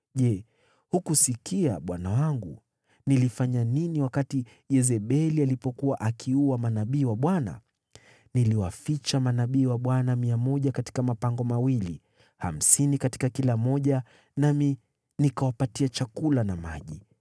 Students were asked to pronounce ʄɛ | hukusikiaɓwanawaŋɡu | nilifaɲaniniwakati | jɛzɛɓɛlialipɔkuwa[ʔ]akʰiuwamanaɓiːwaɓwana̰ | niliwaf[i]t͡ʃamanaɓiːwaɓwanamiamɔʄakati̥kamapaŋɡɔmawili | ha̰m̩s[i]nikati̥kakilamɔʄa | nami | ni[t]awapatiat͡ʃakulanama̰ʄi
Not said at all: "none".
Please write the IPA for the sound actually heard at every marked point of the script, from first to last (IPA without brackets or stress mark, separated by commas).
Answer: ʔ, i, i, k